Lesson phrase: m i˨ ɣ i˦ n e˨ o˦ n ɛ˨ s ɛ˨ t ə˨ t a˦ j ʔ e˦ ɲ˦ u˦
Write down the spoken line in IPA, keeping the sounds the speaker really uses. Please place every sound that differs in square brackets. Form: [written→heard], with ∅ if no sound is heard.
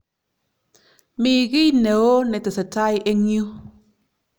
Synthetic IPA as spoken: m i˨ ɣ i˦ n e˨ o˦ n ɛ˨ [s→t] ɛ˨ [t→s] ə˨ t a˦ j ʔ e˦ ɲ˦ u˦